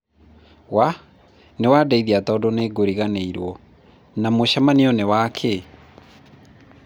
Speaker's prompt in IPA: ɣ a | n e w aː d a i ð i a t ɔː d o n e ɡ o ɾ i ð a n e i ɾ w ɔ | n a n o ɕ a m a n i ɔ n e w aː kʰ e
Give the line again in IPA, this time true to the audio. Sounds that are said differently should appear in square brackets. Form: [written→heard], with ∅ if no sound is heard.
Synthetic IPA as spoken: [ɣ→w] a | n e w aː d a i ð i a t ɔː d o n e ɡ o ɾ i [ð→ɣ] a n e i ɾ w ɔ | n a [n→m] o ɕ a m a n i ɔ n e w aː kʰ e